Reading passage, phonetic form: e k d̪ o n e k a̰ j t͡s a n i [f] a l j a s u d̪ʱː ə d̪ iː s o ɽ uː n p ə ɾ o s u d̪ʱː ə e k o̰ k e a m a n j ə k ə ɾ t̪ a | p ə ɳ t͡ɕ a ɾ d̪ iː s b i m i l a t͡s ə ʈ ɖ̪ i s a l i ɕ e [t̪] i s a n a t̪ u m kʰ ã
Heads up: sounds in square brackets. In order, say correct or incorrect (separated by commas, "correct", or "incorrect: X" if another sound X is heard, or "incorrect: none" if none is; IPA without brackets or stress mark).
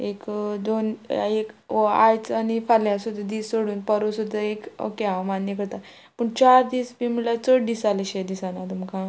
correct, incorrect: d̪